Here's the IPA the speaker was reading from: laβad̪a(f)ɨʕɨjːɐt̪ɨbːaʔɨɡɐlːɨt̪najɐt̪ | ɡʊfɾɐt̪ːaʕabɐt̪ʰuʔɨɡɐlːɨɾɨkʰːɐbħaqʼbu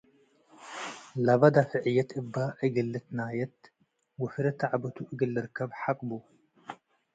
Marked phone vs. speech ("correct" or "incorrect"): correct